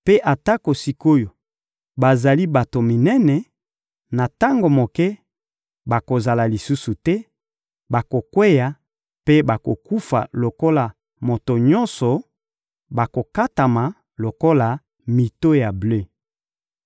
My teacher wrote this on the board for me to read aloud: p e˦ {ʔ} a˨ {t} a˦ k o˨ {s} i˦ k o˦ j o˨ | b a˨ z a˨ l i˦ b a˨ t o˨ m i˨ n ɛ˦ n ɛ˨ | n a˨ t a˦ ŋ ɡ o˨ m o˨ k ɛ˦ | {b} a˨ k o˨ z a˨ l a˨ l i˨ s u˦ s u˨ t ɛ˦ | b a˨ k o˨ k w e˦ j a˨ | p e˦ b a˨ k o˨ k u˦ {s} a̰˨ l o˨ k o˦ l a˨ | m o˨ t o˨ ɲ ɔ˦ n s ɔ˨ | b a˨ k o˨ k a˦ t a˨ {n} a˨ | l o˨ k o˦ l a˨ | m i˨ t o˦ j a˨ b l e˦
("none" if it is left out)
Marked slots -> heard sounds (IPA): ʔ, t, s, b, f, m

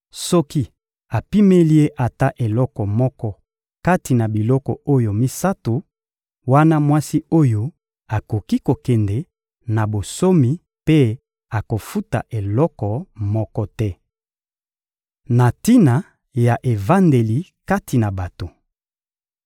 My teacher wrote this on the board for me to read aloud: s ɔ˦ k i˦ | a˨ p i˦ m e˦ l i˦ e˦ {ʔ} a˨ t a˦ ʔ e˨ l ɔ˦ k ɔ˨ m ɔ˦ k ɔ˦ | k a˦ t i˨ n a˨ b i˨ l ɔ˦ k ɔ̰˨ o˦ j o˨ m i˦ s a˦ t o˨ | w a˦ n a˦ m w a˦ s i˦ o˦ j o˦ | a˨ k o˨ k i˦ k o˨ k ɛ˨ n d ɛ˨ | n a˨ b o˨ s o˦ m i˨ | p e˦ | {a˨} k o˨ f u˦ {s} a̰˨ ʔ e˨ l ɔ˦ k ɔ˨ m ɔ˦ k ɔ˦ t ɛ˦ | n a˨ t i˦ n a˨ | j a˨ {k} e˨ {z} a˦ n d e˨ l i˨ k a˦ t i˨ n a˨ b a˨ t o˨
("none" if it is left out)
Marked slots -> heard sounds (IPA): ʔ, a˨, t, ʔ, v

